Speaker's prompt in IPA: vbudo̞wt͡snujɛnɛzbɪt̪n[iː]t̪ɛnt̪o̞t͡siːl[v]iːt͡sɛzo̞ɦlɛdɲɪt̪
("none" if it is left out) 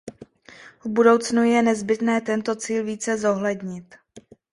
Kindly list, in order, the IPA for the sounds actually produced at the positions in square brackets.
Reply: ɛː, v

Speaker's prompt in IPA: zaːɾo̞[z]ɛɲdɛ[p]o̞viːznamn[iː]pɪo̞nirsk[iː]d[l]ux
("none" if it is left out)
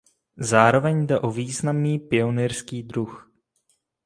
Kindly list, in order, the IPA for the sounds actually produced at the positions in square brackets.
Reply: v, ʔ, iː, iː, ɾ

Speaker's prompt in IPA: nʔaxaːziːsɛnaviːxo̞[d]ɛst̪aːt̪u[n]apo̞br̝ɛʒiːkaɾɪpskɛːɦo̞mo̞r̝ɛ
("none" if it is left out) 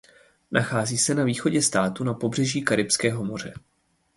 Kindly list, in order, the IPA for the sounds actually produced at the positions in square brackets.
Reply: ɟ, n

